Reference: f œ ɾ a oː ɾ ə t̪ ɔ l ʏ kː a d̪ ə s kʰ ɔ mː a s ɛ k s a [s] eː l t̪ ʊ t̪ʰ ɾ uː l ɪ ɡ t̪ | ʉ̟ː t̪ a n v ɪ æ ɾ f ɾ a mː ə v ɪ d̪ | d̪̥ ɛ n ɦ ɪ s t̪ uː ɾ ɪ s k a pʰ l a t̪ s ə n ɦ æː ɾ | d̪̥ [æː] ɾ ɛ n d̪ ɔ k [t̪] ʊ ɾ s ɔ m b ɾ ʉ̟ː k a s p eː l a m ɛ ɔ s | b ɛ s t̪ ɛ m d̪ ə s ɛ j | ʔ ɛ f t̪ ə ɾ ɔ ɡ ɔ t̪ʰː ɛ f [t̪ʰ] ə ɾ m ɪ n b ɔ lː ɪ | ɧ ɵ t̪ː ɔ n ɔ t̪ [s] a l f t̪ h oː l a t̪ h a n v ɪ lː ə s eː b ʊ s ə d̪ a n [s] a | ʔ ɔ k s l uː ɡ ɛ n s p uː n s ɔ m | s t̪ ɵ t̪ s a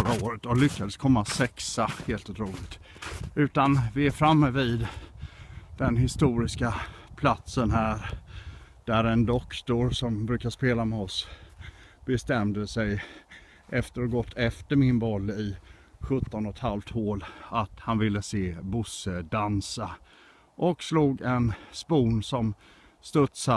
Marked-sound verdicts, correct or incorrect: incorrect: h, incorrect: æ, correct, incorrect: t̪, incorrect: h, correct

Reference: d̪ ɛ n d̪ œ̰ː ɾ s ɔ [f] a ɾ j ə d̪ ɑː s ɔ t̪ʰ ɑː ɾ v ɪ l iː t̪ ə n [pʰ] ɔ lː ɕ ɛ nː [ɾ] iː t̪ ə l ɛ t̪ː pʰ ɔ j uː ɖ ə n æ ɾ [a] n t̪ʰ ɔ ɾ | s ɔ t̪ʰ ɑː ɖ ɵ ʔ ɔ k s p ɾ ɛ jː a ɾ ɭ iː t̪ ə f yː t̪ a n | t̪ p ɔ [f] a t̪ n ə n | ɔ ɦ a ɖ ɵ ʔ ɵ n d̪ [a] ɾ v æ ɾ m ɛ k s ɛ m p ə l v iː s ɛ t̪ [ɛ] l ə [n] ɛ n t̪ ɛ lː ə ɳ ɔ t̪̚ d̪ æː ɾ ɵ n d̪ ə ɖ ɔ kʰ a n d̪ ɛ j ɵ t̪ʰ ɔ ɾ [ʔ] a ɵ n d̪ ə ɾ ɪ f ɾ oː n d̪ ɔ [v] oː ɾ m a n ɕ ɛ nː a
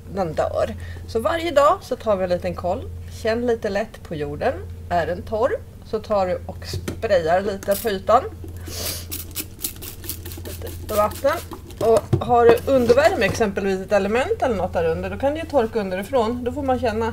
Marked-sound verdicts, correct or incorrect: incorrect: v, incorrect: kʰ, incorrect: l, incorrect: ɛ, incorrect: v, incorrect: ə, correct, incorrect: m, incorrect: k, incorrect: f

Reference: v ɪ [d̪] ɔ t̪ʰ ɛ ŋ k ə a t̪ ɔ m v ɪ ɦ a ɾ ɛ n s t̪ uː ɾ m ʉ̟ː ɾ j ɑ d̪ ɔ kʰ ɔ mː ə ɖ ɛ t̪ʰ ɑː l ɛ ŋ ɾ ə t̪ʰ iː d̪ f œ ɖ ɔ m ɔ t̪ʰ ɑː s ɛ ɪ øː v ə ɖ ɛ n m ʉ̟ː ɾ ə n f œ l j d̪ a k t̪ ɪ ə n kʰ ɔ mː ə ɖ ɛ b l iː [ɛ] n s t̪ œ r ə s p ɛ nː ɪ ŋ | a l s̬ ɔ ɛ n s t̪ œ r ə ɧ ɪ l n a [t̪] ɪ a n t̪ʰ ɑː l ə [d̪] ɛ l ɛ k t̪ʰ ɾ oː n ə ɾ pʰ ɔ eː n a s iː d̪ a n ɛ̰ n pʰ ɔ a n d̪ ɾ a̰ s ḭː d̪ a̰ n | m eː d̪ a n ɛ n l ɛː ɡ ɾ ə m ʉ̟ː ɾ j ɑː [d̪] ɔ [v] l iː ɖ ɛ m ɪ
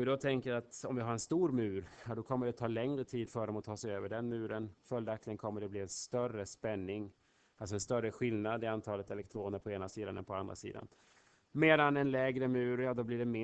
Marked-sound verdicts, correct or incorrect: correct, correct, incorrect: d̪, incorrect: t̪, correct, incorrect: b

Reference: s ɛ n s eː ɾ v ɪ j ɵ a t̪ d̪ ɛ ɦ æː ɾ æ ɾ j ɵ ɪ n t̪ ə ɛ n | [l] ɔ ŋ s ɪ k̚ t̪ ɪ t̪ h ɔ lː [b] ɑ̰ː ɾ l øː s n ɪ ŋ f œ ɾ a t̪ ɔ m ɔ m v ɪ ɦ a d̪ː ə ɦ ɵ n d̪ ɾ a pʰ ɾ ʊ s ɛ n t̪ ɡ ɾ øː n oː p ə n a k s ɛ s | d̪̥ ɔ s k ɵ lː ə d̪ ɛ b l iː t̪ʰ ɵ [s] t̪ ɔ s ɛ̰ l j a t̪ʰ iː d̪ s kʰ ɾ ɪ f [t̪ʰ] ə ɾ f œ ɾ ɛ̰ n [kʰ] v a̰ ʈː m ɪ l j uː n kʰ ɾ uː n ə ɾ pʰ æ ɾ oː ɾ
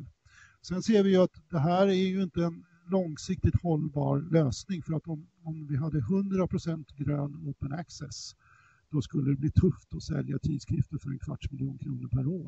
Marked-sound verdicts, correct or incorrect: correct, correct, incorrect: f, incorrect: t̪, correct

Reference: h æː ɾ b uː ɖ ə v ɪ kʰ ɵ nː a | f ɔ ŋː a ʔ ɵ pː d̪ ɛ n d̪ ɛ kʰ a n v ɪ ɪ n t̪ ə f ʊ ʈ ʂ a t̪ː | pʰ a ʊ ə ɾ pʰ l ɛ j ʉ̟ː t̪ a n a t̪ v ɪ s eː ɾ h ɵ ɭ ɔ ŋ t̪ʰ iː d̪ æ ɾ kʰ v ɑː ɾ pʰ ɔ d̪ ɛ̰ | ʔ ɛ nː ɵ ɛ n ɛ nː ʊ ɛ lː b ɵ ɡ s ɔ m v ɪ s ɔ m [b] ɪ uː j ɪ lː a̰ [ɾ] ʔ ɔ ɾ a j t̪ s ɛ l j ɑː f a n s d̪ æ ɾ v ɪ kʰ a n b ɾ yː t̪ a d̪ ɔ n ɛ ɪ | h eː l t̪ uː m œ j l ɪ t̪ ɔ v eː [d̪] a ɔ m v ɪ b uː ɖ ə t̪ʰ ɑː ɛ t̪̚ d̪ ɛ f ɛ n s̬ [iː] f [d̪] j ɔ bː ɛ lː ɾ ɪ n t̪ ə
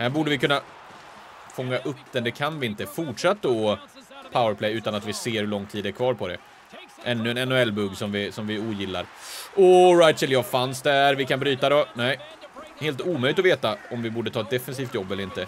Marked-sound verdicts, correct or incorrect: incorrect: v, correct, incorrect: t̪, correct, incorrect: t̪

